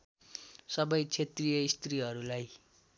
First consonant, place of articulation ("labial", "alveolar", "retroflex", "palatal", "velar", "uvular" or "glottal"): alveolar